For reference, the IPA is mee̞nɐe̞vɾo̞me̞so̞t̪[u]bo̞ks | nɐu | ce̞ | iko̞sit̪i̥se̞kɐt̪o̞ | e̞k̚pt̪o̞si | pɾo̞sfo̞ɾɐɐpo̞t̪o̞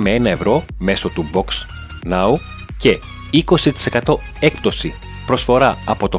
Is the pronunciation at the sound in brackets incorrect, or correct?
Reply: correct